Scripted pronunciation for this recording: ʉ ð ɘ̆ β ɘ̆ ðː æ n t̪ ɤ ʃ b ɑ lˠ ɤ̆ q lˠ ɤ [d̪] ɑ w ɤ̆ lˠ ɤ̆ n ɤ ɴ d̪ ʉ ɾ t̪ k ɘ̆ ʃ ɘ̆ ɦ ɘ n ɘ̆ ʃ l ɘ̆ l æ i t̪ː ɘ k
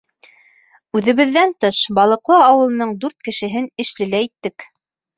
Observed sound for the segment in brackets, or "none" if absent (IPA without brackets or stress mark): none